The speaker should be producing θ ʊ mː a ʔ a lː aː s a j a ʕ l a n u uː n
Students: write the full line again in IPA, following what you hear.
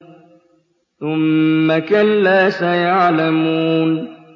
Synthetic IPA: θ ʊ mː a k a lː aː s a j a ʕ l a m u uː n